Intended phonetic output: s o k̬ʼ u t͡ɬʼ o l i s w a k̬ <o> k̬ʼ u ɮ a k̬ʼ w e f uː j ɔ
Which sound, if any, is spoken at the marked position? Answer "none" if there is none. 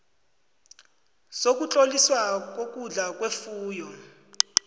o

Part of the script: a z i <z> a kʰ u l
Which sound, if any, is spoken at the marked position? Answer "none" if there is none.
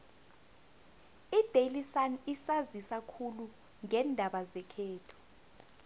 s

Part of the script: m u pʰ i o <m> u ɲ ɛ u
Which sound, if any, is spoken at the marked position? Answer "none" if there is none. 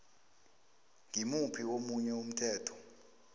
m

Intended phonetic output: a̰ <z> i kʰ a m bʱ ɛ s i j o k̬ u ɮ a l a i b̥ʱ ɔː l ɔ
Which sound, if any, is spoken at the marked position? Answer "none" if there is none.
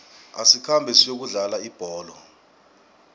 s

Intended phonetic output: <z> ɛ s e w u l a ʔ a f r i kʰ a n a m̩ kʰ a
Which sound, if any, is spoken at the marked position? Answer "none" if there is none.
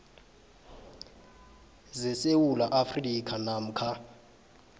z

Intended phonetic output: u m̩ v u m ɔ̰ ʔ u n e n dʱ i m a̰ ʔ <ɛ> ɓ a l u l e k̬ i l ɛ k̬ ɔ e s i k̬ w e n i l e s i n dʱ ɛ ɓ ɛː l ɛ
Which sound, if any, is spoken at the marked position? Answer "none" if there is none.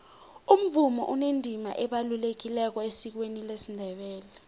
ɛ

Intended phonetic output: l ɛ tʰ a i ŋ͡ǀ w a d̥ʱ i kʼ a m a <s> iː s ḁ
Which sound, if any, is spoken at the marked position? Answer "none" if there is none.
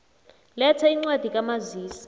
z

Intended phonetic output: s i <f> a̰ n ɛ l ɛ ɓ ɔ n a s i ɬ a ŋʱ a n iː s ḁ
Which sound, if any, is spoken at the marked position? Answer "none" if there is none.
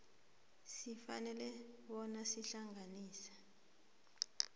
f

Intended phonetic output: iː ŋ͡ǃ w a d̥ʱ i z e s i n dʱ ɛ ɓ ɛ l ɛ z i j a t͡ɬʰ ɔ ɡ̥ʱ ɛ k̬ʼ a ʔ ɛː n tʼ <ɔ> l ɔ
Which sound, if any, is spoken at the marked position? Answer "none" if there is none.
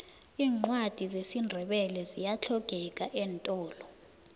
ɔː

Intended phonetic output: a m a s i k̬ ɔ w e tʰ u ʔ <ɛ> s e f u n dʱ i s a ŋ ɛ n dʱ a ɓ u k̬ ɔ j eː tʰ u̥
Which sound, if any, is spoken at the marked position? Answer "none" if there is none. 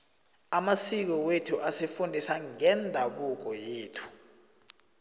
a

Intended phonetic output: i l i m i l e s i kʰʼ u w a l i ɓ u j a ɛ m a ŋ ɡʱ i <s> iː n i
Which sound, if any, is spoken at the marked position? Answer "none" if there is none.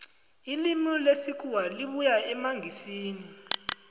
s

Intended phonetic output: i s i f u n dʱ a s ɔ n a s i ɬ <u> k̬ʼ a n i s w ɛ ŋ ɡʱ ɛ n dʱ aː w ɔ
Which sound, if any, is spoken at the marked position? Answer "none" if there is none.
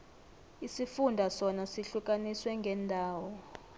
u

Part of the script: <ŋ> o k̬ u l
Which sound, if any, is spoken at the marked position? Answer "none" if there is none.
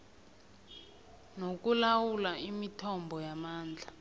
n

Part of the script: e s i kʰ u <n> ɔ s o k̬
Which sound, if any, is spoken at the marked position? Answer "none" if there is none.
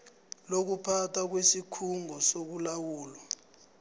ŋ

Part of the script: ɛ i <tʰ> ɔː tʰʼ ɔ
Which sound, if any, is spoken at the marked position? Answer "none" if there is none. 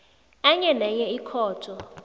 kʰ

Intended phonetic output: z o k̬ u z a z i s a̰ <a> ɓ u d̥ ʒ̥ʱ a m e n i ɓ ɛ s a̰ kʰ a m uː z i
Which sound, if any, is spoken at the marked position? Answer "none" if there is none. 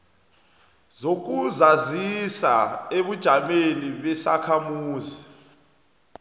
e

